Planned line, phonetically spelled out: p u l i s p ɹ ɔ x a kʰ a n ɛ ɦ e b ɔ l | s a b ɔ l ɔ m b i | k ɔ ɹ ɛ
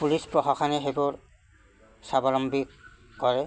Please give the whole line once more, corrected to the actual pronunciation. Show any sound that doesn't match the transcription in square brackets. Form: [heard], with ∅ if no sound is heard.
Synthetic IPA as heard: p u l i s p ɹ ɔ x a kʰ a n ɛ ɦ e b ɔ [ɹ] | s a b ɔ l ɔ m b i | k ɔ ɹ ɛ